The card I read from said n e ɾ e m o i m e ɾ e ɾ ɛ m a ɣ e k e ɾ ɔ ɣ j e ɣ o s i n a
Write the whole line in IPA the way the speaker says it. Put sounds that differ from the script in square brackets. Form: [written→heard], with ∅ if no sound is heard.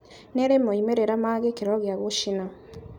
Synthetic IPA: n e ɾ e m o i m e ɾ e ɾ [ɛ→a] m a ɣ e k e ɾ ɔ ɣ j [e→a] ɣ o [s→ʃ] i n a